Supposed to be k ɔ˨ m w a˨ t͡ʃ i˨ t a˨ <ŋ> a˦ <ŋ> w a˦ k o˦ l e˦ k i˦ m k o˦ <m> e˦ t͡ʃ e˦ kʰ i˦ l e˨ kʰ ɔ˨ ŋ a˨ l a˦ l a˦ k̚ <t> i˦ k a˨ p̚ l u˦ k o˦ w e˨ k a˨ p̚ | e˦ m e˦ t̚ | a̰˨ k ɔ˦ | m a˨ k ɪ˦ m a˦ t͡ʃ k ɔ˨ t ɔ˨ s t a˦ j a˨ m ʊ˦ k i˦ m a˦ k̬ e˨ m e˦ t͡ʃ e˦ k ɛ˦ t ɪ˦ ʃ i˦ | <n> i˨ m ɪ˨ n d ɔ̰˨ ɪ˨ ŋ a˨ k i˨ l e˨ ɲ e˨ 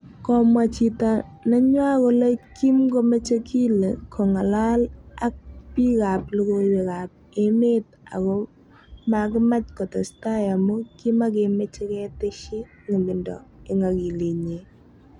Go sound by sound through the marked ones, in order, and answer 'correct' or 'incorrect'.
incorrect: n, incorrect: ɲ, correct, incorrect: p, incorrect: ŋ

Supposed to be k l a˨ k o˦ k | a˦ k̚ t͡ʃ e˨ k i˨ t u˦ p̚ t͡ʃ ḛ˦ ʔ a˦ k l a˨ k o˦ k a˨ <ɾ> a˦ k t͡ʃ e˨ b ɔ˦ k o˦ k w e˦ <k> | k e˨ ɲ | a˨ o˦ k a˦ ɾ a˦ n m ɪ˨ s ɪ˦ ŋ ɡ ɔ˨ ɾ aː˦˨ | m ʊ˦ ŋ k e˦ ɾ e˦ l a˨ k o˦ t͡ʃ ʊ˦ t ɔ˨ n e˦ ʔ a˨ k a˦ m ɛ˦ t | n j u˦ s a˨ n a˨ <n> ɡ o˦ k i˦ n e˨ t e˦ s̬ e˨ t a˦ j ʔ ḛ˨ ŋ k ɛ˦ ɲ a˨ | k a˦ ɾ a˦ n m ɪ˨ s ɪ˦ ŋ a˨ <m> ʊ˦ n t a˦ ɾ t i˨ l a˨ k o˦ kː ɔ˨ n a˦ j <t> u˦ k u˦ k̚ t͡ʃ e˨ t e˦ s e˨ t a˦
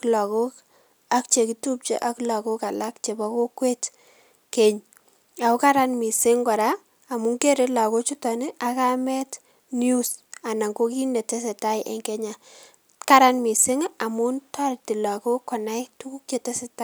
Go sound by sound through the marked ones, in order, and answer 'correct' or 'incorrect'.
incorrect: l, incorrect: t, incorrect: ŋ, correct, correct

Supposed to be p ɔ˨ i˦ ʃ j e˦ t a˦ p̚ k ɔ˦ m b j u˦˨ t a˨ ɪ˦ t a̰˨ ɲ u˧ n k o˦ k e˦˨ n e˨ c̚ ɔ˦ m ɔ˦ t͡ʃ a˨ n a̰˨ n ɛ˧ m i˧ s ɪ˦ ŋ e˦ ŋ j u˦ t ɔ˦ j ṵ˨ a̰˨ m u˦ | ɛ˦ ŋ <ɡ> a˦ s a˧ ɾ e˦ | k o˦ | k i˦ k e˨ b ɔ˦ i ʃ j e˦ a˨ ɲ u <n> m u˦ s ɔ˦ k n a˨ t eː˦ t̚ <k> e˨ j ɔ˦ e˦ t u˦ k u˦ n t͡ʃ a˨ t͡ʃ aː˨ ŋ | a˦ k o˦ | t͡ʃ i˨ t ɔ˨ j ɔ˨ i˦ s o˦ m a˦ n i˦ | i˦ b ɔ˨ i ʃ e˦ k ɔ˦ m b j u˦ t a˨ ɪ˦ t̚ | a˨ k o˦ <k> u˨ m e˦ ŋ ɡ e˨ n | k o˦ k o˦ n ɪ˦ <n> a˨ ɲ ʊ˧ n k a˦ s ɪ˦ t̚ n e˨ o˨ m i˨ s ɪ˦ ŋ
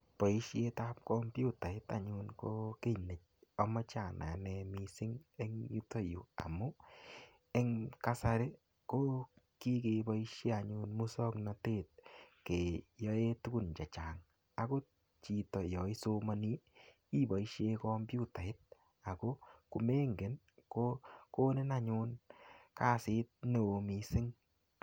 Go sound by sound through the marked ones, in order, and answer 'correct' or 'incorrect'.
incorrect: k, correct, correct, correct, correct

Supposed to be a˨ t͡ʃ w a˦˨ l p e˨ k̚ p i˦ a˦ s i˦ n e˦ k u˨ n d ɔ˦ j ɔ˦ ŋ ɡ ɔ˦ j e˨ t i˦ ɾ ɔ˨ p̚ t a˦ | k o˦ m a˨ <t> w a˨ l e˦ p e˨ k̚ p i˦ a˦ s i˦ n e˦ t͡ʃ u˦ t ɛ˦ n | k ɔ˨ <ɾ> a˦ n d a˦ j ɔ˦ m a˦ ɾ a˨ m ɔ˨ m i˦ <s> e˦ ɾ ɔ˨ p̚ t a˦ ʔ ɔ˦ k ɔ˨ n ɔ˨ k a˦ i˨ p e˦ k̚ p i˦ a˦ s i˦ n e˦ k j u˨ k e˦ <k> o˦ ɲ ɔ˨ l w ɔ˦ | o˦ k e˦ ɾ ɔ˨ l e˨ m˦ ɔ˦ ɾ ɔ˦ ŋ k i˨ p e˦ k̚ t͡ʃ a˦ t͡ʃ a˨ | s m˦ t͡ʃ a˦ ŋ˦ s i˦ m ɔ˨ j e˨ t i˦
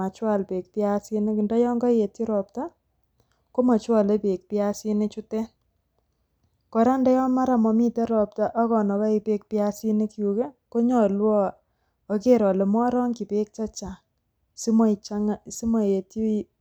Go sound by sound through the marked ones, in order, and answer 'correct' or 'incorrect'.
incorrect: t͡ʃ, correct, incorrect: t, correct

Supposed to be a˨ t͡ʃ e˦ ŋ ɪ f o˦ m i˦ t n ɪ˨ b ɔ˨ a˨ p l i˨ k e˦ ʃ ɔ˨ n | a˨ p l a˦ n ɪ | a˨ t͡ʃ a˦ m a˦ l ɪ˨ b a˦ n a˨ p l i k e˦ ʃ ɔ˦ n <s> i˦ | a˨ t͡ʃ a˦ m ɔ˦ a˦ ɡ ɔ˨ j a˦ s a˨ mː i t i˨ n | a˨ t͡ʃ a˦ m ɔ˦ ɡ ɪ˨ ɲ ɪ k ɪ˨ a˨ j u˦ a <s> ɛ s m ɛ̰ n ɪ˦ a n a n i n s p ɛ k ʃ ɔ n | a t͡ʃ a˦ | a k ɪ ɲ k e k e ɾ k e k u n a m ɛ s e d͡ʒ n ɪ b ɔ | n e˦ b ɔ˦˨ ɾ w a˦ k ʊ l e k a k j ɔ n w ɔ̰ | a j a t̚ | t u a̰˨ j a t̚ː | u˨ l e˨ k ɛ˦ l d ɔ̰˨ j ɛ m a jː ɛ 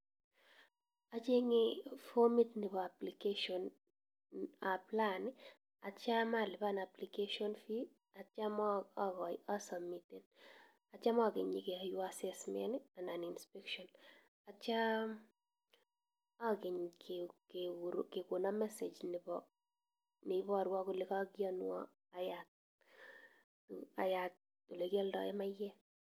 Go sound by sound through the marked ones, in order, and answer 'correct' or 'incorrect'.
incorrect: f, correct

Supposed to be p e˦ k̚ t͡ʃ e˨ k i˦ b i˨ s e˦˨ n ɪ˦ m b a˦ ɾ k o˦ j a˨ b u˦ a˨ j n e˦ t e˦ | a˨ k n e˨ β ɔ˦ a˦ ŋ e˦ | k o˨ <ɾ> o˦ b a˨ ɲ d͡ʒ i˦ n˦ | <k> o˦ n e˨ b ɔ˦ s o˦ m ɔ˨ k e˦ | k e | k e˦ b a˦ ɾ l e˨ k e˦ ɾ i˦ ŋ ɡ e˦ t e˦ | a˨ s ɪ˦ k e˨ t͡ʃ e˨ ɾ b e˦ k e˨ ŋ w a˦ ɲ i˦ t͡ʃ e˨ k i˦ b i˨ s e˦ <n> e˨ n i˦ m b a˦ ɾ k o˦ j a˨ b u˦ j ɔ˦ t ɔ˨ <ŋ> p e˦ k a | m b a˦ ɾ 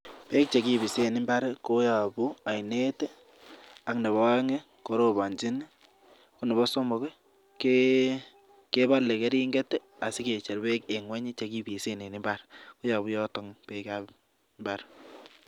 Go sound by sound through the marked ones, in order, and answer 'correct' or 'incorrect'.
correct, correct, correct, correct

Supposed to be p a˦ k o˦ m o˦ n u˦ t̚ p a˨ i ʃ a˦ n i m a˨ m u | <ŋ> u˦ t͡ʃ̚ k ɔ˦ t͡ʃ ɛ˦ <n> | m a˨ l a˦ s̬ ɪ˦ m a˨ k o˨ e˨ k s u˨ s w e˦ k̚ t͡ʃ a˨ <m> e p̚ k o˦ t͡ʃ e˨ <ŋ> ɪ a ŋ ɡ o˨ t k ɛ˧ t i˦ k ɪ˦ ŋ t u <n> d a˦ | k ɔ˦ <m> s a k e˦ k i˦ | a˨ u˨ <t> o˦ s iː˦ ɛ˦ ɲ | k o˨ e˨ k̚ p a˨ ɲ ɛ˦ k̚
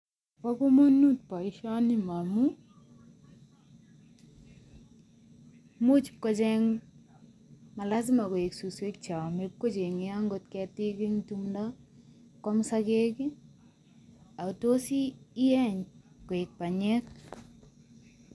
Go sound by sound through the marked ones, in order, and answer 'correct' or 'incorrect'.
incorrect: m, incorrect: ŋ, correct, correct, incorrect: m, correct, correct

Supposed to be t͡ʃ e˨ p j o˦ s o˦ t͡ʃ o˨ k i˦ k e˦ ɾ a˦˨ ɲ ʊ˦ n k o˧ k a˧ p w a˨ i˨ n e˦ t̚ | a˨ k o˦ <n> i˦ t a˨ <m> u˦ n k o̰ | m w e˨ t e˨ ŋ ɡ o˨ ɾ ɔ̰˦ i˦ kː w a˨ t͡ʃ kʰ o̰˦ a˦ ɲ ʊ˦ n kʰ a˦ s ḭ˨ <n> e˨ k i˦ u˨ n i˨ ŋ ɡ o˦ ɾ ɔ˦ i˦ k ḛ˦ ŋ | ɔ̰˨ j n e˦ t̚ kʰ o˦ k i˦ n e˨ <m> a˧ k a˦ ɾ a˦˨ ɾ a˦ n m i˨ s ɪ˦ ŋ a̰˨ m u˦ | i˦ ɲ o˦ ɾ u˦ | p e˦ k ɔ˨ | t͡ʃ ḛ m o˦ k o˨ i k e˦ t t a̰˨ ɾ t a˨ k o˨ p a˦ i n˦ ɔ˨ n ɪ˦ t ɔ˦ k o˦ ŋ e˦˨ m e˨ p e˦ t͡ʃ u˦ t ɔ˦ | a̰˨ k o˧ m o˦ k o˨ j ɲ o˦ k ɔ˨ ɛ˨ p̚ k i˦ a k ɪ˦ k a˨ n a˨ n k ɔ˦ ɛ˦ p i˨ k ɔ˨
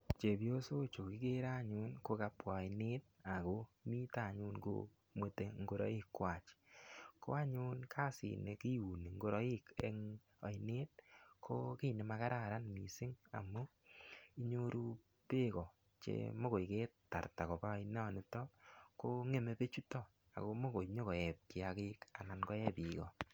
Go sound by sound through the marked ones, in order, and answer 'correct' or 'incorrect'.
incorrect: m, incorrect: ɲ, correct, correct

